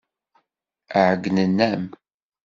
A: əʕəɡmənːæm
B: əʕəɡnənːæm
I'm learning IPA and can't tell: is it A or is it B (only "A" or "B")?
B